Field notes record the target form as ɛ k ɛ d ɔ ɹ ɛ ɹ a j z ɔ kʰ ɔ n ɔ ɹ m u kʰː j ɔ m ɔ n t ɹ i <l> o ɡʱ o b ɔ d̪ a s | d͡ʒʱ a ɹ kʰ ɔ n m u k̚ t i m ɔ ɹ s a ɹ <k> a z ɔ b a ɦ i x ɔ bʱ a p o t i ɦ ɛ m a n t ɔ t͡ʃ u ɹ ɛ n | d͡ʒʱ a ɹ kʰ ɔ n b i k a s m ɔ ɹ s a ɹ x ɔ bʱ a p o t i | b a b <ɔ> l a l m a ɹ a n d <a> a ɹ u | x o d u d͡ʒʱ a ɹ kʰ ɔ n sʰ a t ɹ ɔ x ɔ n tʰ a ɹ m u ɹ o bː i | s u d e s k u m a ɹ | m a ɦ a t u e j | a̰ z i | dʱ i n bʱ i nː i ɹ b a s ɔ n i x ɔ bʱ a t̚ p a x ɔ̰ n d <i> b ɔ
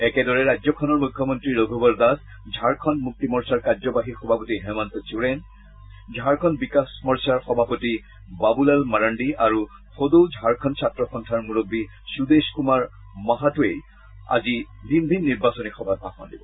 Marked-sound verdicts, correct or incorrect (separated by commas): incorrect, correct, incorrect, incorrect, correct